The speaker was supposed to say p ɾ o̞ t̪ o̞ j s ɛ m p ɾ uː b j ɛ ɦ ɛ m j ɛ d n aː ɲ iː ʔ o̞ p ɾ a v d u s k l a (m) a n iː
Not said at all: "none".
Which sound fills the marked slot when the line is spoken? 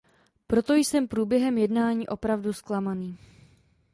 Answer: m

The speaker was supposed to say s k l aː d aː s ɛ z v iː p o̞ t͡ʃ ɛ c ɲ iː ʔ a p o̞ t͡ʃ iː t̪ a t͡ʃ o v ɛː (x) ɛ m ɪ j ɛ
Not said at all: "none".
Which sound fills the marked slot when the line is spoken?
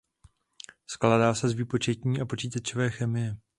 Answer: x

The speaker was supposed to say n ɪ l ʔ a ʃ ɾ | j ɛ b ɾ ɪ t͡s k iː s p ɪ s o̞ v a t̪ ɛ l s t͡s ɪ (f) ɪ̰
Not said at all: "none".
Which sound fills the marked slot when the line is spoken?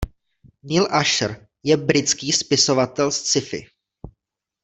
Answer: f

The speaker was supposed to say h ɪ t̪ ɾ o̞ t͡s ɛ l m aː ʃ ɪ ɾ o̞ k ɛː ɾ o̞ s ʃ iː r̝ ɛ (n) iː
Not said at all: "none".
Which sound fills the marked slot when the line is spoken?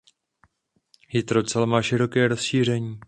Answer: ɲ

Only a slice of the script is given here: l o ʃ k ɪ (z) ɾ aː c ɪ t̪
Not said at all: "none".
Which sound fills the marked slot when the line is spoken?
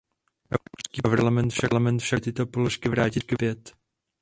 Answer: v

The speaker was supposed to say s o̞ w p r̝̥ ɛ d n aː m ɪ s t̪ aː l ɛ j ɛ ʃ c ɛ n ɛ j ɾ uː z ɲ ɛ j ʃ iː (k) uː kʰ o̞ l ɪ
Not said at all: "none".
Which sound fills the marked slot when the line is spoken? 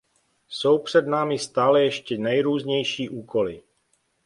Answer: ʔ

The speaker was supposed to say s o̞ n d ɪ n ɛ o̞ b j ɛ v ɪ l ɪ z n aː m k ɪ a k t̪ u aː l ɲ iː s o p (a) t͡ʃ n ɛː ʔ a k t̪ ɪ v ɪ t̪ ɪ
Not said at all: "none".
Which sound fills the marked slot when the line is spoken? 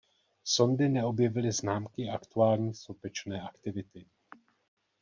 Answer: ɛ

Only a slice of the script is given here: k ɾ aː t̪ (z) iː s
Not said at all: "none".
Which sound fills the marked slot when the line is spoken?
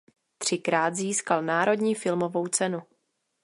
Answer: z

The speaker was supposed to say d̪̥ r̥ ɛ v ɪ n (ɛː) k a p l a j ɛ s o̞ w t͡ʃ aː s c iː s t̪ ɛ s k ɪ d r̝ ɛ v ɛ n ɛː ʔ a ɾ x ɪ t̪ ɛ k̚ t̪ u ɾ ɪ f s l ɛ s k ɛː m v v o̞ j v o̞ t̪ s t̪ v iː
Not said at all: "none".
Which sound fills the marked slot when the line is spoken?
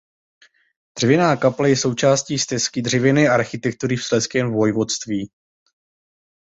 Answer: aː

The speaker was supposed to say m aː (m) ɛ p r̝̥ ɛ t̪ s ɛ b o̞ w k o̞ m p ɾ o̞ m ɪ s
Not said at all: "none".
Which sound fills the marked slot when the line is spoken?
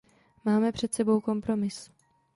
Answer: m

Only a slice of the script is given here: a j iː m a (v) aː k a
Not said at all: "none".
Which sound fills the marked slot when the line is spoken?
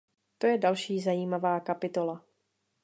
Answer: v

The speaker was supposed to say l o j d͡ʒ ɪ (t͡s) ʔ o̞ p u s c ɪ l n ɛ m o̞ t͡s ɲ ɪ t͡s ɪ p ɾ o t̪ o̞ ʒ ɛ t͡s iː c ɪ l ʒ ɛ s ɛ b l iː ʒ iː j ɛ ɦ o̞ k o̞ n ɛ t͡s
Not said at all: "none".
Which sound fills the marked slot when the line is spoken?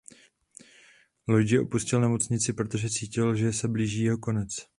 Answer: none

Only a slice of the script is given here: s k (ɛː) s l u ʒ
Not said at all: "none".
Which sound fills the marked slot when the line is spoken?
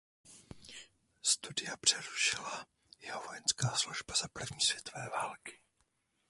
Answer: aː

